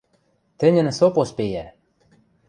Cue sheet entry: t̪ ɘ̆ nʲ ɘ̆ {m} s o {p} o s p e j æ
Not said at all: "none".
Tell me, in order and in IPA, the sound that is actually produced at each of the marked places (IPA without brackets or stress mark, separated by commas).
n, p